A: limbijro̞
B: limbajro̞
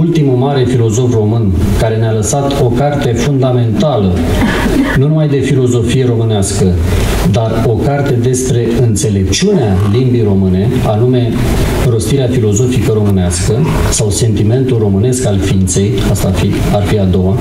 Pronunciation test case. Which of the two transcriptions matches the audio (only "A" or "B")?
A